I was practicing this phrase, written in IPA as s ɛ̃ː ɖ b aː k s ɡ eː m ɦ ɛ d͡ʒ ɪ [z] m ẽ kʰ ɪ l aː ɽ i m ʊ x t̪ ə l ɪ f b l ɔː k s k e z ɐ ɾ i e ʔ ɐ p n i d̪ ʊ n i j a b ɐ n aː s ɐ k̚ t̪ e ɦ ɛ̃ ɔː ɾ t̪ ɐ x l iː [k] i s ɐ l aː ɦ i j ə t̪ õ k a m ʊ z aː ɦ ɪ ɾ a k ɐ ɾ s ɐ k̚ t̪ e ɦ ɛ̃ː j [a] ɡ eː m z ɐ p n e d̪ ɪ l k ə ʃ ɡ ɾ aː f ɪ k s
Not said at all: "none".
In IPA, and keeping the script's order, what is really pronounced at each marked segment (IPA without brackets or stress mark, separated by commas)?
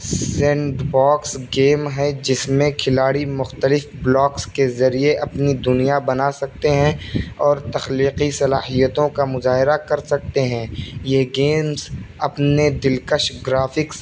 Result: s, q, e